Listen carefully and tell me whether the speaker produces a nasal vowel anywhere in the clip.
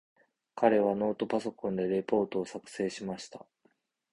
yes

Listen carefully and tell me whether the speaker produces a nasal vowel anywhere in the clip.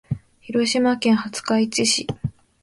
yes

